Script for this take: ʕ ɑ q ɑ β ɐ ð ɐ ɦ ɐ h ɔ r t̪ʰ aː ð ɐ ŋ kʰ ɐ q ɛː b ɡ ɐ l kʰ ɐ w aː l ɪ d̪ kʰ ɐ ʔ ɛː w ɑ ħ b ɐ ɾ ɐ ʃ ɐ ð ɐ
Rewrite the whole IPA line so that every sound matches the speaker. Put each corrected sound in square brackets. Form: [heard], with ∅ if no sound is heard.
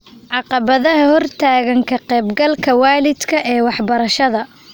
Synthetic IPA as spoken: ʕ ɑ q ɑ β ɐ ð ɐ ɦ ɐ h ɔ r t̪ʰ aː [ɣ] ɐ ŋ kʰ ɐ q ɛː b ɡ ɐ l kʰ ɐ w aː l ɪ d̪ kʰ ɐ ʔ ɛː w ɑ ħ b ɐ ɾ ɐ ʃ ɐ ð ɐ

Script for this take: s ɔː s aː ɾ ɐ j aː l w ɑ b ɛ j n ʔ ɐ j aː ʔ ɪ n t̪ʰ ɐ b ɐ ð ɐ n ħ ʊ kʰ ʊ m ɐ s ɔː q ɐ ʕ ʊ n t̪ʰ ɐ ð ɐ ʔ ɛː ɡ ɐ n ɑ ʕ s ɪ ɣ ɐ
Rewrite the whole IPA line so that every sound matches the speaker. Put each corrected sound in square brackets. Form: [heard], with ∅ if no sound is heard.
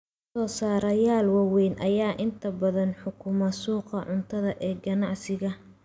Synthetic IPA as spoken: s ɔː s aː ɾ ɐ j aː l w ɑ [w] ɛ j n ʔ ɐ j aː ʔ ɪ n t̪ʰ ɐ b ɐ ð ɐ n ħ ʊ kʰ ʊ m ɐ s [uː] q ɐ ʕ ʊ n t̪ʰ ɐ ð ɐ ʔ ɛː ɡ ɐ n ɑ ʕ s ɪ ɣ ɐ

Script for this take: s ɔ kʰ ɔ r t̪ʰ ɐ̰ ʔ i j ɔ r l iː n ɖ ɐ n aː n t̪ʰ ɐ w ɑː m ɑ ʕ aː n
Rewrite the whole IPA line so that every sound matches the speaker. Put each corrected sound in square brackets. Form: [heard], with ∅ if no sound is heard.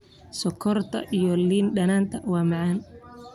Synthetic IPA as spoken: s ɔ kʰ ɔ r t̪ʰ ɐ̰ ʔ i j ɔ [∅] l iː n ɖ ɐ n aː n t̪ʰ ɐ w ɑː m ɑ ʕ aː n

